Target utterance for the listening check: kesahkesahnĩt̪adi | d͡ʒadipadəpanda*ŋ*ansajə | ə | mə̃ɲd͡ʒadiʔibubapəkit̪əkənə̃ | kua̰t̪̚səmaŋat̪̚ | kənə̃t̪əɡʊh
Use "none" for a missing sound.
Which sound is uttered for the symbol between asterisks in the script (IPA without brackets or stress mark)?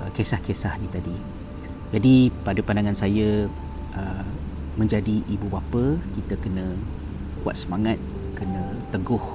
ŋ